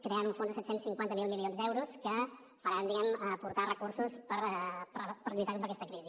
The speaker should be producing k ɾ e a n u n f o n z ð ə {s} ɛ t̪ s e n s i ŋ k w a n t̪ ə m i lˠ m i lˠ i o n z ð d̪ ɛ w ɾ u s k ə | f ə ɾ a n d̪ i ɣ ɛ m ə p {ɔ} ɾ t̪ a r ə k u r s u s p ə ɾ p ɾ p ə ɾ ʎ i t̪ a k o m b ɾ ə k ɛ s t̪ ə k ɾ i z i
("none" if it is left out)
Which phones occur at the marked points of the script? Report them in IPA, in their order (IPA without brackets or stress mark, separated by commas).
s, u